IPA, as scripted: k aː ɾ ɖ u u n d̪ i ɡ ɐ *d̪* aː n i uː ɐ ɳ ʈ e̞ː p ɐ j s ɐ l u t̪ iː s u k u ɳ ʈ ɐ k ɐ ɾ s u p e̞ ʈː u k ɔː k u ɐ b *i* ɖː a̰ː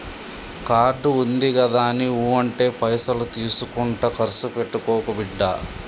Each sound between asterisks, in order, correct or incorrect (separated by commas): correct, correct